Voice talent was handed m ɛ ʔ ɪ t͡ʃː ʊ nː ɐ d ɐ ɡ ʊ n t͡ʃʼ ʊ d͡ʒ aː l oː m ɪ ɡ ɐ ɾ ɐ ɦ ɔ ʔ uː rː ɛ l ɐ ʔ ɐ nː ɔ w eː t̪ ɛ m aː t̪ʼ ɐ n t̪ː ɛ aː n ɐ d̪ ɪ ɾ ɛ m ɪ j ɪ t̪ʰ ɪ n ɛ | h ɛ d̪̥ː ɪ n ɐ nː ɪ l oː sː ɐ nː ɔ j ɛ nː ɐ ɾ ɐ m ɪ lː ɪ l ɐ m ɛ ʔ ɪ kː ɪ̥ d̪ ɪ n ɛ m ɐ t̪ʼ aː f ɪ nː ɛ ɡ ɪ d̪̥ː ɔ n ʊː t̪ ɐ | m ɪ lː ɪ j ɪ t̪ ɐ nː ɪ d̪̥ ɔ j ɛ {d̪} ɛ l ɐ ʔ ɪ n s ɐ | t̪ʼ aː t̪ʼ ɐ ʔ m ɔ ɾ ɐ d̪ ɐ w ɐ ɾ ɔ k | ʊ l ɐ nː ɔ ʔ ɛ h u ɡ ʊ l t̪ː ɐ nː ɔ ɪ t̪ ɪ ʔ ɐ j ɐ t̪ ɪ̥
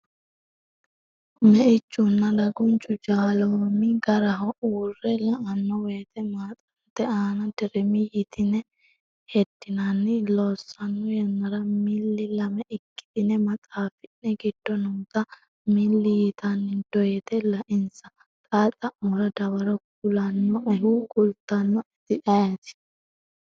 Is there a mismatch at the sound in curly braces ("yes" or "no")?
yes